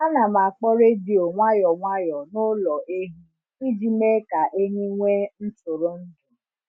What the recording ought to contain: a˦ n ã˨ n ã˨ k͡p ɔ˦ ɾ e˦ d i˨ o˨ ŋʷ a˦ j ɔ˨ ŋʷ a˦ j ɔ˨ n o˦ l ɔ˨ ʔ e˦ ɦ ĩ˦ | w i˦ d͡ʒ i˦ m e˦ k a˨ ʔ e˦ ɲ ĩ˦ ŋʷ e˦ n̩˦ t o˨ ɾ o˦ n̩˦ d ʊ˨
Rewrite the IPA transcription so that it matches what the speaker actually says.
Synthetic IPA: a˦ n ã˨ m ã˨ k͡p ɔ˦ ɾ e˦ d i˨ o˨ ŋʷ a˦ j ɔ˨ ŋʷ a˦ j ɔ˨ n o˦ l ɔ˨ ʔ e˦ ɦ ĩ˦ | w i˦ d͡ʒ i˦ m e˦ k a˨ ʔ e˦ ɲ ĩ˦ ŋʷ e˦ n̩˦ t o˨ ɾ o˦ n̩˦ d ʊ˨